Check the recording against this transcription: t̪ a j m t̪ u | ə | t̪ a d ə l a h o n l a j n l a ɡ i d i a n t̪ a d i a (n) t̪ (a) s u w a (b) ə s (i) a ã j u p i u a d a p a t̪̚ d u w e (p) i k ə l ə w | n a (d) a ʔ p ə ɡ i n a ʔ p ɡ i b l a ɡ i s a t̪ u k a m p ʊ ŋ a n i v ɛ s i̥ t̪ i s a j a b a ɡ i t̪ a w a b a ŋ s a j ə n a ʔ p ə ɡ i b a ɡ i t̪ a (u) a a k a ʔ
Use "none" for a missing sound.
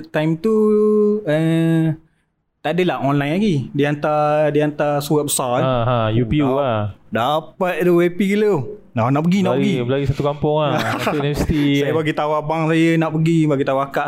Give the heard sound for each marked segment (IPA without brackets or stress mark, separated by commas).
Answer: n, a, b, a, p, n, w